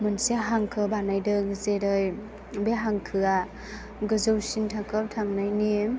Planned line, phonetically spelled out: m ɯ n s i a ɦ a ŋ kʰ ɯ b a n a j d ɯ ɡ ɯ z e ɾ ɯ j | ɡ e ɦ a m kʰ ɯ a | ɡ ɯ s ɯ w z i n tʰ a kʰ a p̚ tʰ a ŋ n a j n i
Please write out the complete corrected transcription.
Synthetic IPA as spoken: m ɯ n s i a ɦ a ŋ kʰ ɯ b a n a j d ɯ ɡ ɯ z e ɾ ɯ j | b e ɦ a ŋ kʰ ɯ a | ɡ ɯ z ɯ w s i n tʰ a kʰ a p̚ tʰ a ŋ n a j n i